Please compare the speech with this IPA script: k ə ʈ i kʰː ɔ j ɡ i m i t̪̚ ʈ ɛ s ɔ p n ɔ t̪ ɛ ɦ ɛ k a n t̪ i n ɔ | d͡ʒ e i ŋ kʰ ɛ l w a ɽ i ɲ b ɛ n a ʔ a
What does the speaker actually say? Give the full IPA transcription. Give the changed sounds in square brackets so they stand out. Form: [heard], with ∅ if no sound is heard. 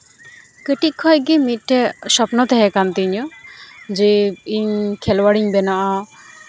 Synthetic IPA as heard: k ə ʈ i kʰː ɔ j ɡ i m i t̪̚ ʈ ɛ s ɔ p n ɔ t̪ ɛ ɦ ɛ k a n t̪ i [ɲ] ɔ | d͡ʒ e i [ɲ] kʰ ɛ l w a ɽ i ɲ b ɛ n a ʔ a

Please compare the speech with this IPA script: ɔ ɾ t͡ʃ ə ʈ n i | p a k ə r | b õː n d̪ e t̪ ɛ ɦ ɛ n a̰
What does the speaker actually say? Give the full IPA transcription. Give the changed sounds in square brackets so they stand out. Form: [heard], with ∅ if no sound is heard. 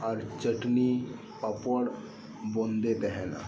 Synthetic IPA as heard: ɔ ɾ t͡ʃ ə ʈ n i | p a [p] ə [ɽ] | b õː n d̪ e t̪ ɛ ɦ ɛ n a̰

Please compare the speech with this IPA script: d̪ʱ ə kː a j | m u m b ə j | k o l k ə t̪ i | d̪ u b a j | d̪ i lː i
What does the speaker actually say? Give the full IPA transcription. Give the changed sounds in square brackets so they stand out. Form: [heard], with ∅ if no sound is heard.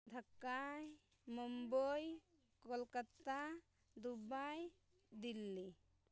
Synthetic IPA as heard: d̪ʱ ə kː a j | m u m b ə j | k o l k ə t̪ [a] | d̪ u b a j | d̪ i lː i

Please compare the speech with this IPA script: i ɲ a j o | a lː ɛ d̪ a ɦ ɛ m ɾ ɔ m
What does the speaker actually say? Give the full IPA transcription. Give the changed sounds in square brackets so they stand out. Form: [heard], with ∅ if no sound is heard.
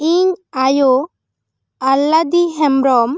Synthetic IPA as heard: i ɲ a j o | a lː [a] d̪ [i] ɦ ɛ m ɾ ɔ m

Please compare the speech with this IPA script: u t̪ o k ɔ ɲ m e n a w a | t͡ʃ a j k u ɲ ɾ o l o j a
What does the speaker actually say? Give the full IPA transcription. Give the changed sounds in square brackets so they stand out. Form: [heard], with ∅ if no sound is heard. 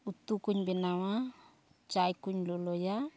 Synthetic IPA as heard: u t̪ [u] k [u] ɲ [b] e n a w a | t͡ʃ a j k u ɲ [l] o l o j a

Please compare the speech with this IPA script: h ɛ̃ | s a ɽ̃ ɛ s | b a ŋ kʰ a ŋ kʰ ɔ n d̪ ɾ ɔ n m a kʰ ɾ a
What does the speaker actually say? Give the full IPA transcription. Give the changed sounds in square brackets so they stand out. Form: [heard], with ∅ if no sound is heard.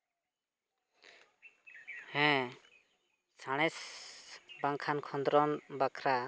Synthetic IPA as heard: h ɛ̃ | s a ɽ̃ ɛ s | b a ŋ kʰ a [n] kʰ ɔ n d̪ ɾ ɔ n [b] a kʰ ɾ a

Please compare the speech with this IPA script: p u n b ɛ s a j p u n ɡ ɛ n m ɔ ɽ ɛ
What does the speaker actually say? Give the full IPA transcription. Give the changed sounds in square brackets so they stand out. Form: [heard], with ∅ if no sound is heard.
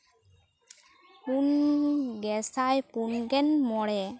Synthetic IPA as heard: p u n [ɡ] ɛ s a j p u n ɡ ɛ n m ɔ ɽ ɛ

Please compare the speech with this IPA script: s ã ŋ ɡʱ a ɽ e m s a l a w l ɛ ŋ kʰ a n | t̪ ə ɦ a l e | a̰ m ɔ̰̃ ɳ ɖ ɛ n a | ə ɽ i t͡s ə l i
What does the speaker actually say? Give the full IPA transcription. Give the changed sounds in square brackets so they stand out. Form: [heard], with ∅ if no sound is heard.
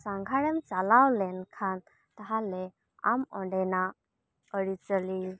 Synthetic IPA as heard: s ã ŋ ɡʱ a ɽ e m [t͡s] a l a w l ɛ [n] kʰ a n | t̪ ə ɦ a l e | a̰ m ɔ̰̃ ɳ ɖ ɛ n a | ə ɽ i t͡s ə l i

